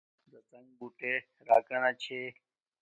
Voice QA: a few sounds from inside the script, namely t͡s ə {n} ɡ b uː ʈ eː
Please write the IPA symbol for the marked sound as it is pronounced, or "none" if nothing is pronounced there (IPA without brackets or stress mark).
ŋ